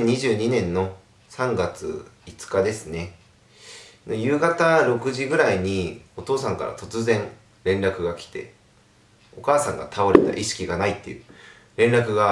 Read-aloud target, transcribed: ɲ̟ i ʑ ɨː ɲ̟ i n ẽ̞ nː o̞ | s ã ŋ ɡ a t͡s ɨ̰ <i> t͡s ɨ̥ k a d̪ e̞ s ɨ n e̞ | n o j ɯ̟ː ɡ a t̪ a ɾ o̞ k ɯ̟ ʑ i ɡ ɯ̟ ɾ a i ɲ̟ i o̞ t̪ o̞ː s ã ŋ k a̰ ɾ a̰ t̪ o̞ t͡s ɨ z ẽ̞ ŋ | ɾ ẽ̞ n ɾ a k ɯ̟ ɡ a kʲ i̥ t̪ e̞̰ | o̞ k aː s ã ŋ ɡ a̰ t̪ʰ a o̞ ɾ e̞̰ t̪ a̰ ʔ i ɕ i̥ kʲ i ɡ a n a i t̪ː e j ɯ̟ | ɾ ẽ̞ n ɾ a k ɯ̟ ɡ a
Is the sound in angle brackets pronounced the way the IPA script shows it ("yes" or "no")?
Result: yes